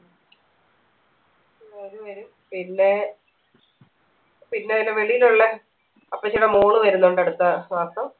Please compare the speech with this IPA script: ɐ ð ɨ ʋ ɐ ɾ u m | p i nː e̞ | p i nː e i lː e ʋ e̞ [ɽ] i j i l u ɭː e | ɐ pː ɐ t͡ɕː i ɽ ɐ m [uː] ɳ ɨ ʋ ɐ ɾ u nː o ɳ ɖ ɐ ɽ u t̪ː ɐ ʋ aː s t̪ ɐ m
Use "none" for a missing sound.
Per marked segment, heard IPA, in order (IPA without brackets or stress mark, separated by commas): ɭ, uː